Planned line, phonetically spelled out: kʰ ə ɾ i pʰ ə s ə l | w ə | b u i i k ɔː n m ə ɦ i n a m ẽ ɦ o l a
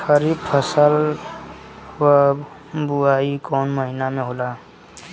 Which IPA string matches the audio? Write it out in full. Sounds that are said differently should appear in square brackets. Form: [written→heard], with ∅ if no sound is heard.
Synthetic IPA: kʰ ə ɾ i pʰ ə s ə l | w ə | b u [i→a] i k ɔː n m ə ɦ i n a m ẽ ɦ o l a